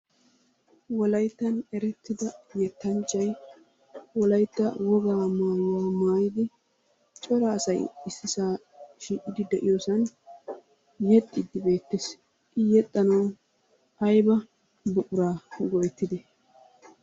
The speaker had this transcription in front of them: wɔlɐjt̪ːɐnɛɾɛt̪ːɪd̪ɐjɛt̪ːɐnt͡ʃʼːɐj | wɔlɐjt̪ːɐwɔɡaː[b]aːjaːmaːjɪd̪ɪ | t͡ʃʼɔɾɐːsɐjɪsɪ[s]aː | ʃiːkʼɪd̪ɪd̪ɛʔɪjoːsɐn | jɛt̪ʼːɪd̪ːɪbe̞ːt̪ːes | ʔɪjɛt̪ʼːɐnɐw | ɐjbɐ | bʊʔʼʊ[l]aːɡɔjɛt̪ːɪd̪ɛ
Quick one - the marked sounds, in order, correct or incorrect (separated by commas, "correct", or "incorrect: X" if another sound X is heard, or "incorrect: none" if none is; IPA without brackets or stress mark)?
incorrect: m, correct, incorrect: ɾ